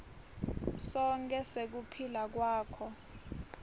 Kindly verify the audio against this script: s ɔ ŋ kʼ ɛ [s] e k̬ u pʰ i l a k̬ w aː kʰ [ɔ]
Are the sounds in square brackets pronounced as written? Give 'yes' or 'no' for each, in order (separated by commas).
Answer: yes, yes